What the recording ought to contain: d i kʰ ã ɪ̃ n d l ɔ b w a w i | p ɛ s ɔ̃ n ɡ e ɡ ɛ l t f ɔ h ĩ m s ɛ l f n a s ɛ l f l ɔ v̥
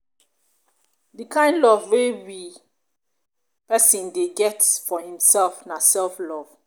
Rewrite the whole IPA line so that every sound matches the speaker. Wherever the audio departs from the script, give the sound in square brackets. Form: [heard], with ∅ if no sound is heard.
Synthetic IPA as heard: d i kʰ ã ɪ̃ n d l ɔ [v] w [e] w i | p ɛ s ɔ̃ n [d] e ɡ ɛ [∅] t f ɔ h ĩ m s ɛ l f n a s ɛ l f l ɔ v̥